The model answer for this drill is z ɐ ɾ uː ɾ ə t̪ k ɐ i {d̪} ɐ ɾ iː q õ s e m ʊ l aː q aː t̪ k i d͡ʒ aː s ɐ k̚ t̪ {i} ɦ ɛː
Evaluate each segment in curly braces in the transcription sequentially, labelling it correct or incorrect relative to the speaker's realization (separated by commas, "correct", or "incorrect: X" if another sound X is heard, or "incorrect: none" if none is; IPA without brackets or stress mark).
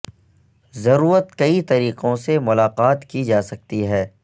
incorrect: t̪, correct